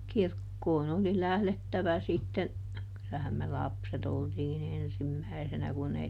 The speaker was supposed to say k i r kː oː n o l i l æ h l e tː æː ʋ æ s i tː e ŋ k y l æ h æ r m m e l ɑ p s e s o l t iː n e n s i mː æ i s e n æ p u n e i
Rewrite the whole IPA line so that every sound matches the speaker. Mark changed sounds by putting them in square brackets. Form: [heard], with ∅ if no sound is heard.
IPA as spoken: k i r kː oː n o l i l æ h l e tː [æ] ʋ æ s i tː e [n] k y l æ h æ [∅] m m e l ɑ p s e [t] o l t iː n e n s i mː æ i s e n æ [k] u n e i